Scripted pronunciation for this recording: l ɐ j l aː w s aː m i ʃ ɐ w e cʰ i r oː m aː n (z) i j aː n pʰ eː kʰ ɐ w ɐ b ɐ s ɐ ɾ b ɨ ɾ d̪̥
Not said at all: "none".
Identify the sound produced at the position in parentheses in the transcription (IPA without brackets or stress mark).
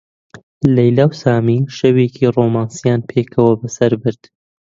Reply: s